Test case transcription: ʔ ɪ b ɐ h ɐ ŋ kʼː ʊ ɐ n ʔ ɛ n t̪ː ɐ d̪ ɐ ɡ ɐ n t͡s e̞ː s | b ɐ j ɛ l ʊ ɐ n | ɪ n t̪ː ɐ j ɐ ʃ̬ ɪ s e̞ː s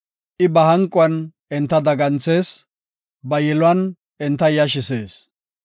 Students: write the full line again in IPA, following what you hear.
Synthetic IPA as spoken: ʔ ɪ b ɐ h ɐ ŋ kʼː ʊ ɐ n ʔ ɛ n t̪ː ɐ d̪ ɐ ɡ ɐ n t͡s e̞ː s | b ɐ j ɛ l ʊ ɐ n | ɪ n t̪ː ɐ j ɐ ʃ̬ ɪ s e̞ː s